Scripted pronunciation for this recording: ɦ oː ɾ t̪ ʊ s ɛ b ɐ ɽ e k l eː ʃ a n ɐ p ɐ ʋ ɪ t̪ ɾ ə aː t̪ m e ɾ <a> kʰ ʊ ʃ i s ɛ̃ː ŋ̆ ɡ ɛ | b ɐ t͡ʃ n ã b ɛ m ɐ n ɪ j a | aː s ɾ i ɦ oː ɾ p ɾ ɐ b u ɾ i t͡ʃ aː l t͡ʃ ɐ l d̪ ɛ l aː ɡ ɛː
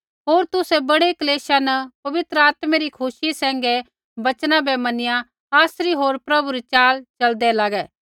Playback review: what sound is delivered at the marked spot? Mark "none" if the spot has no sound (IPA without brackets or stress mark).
i